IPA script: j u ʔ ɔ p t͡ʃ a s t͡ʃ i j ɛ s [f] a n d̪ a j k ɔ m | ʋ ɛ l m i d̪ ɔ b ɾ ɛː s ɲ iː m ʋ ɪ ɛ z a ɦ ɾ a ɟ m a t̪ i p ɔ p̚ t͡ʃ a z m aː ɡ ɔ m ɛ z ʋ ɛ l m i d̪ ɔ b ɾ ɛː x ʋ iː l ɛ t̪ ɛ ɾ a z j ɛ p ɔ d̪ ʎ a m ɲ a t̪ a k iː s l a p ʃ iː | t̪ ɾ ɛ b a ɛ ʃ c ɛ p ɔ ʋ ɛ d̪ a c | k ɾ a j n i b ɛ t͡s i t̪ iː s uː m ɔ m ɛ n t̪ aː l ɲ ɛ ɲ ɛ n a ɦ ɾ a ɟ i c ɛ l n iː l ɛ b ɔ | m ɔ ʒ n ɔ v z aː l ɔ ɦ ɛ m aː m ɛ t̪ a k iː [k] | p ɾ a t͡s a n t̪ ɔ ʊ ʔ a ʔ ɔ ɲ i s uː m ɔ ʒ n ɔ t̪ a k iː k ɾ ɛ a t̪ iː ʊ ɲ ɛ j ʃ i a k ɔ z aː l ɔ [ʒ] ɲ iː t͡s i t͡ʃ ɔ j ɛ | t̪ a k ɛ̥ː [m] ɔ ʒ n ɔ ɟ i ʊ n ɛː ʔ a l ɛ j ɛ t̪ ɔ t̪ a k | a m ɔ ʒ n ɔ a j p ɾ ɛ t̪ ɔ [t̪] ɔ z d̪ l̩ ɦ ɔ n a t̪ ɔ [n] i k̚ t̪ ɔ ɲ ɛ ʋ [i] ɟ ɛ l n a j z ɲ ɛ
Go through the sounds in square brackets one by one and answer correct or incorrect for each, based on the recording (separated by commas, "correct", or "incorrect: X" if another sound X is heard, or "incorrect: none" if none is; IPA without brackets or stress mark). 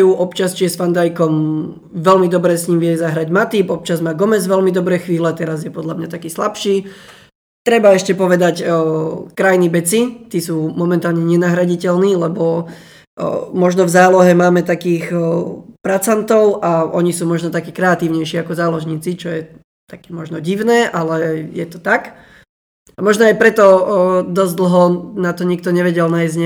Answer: correct, incorrect: x, correct, correct, incorrect: d̪, incorrect: ɲ, incorrect: ɛ